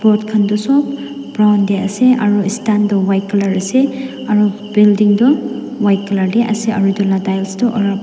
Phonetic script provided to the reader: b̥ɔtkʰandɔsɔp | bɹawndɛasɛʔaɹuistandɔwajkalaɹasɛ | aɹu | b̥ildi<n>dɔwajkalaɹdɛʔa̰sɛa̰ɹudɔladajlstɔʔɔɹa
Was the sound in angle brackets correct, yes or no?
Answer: no